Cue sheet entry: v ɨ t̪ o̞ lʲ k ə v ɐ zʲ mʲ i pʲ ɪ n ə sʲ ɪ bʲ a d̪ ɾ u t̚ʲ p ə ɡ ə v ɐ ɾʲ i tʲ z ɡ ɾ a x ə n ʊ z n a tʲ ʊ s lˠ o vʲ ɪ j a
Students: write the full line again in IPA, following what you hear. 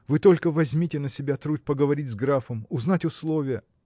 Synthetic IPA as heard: v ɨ t̪ o̞ lʲ k ə v ɐ zʲ mʲ i tʲ ɪ n ə sʲ ɪ bʲ a t̪ ɾ u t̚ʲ p ə ɡ ə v ɐ ɾʲ i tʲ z ɡ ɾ a f ə m ʊ z n a tʲ ʊ s lˠ o vʲ ɪ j ə